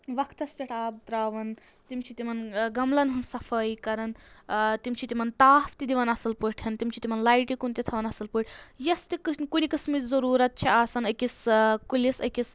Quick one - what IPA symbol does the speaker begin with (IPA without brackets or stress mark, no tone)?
ʋ